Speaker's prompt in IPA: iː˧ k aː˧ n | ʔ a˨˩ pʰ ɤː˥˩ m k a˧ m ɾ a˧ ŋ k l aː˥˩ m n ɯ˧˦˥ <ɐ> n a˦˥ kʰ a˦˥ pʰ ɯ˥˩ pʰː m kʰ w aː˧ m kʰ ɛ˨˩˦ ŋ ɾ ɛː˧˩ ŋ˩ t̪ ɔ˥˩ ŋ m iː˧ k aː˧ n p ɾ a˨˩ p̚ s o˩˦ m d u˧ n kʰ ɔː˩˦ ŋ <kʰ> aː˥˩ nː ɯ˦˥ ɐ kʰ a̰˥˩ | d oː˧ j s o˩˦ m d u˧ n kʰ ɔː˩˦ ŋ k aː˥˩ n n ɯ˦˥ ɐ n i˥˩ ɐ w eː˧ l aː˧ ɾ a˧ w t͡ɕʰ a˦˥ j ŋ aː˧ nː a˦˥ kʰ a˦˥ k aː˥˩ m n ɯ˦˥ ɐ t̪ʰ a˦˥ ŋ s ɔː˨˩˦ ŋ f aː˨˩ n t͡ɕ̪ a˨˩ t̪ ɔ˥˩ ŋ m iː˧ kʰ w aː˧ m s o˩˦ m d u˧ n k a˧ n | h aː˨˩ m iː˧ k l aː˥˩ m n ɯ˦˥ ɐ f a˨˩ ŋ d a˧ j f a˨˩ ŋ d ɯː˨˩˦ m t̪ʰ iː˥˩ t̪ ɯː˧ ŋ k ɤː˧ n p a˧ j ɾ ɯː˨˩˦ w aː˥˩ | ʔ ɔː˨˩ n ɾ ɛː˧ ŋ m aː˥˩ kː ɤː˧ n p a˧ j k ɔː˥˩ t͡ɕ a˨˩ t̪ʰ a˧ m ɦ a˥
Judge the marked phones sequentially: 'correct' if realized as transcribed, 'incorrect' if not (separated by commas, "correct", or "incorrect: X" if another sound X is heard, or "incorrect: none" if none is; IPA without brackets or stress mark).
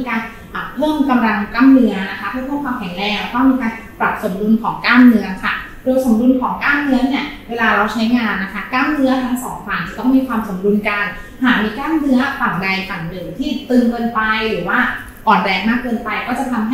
correct, incorrect: k